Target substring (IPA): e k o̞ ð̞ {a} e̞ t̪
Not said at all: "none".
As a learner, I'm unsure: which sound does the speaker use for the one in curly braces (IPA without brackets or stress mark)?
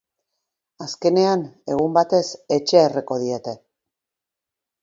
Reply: i